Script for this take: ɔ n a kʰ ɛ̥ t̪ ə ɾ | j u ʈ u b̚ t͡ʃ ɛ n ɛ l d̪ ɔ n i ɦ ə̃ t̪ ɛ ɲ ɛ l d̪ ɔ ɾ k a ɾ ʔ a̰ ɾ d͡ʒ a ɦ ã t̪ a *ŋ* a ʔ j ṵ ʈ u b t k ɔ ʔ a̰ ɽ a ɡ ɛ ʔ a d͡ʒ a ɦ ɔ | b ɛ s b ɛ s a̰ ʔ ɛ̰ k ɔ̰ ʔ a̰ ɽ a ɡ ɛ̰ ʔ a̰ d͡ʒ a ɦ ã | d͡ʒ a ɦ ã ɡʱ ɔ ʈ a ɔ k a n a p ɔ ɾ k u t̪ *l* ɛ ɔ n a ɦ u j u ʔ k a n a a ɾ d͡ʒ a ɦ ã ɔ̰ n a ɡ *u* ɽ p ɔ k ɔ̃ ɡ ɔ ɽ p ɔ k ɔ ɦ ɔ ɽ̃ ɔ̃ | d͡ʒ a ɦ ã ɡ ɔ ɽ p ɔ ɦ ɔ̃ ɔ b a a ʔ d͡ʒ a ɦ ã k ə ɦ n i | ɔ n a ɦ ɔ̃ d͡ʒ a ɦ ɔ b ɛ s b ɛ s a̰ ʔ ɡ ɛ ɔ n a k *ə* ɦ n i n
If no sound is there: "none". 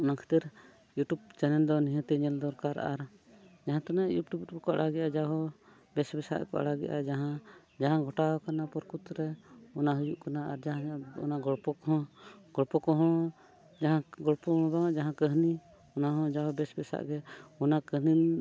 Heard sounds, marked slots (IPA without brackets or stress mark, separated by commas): n, ɾ, ɔ, ə